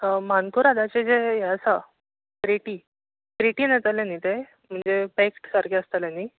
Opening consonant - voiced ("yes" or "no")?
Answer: yes